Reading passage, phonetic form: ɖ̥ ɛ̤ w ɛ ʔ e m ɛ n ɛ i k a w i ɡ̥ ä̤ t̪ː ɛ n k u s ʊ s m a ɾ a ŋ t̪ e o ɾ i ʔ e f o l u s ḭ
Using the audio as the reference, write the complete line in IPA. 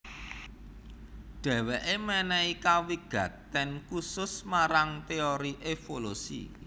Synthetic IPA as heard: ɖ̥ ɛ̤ w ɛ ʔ e m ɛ n ɛ i k a w i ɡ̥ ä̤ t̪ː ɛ n k u s ʊ s m a ɾ a ŋ t̪ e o ɾ i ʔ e f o l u s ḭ